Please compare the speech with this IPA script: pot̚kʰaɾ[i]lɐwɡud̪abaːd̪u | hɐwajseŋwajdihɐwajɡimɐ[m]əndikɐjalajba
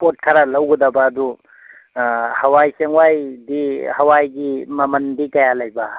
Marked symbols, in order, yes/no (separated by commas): no, yes